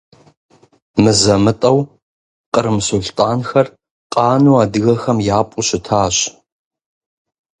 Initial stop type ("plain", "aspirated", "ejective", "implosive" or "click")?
ejective